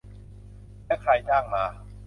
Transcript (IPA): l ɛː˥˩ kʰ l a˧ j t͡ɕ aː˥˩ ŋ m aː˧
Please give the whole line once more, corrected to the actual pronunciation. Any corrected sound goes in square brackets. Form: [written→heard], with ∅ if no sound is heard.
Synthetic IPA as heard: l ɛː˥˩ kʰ [l→ɾ] a˧ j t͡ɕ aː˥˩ ŋ m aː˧